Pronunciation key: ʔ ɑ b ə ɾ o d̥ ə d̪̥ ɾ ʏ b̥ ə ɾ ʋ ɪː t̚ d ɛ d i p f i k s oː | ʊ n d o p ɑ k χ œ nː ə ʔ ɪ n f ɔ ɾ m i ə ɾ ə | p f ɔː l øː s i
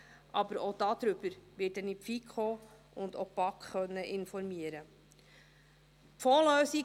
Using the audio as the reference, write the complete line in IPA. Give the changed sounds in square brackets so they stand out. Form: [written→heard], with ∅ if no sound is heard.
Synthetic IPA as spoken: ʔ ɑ b ə ɾ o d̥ [ə→ɑ] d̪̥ ɾ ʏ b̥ ə ɾ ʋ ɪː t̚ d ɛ [d→n] i p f i k [s→χ] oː | ʊ n d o p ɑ k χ œ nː ə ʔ ɪ n f ɔ ɾ m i ə ɾ ə | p f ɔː l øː s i